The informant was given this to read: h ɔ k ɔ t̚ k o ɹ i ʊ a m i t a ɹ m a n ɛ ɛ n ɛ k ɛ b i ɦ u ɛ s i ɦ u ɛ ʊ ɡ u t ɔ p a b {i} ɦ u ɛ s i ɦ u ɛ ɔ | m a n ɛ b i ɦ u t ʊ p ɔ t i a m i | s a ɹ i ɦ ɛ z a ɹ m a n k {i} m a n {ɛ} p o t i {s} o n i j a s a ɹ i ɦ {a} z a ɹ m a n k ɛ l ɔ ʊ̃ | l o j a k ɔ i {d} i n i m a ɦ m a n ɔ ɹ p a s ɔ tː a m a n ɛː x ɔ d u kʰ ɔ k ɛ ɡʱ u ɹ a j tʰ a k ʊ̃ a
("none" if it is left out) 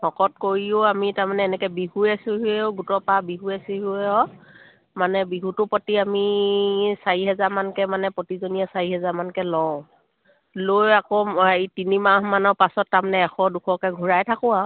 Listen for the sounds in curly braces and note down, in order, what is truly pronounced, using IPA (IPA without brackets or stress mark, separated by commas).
i, ɛ, ɛ, z, ɛ, t